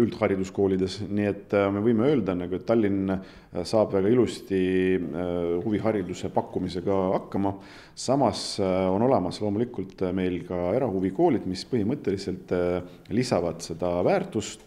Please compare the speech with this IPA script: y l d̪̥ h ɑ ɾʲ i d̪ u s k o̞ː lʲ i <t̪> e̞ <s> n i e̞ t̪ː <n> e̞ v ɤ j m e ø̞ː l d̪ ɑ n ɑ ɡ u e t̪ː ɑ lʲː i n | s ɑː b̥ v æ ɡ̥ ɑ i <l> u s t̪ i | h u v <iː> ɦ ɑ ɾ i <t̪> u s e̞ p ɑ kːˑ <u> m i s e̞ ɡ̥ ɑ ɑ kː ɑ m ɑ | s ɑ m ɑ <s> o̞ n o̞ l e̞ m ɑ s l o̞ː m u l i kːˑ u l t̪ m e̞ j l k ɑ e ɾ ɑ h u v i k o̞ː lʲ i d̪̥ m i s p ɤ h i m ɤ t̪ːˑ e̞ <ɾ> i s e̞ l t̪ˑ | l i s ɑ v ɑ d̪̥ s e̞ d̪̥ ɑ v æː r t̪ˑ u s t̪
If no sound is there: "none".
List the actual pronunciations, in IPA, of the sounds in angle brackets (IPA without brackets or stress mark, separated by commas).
d̪, s, m, l, i, d̪, u, s, l